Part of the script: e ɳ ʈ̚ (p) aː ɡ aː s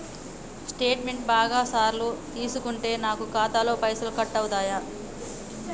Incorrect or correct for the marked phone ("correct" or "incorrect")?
incorrect